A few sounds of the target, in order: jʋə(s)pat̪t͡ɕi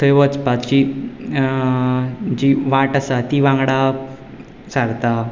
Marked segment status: incorrect: t͡s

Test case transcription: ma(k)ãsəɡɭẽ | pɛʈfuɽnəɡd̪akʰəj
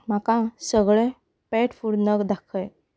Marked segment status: correct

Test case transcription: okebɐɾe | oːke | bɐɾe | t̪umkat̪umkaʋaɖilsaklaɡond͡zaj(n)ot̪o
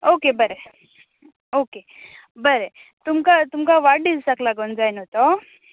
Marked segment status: correct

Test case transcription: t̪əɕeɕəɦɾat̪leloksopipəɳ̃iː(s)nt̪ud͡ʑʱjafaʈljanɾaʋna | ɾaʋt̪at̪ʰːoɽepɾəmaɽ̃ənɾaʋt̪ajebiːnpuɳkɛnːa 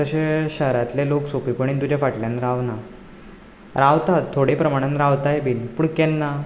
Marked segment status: incorrect: none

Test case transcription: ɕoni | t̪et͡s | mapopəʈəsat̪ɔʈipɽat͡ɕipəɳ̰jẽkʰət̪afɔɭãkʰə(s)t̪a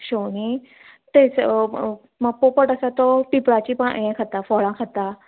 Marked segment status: incorrect: none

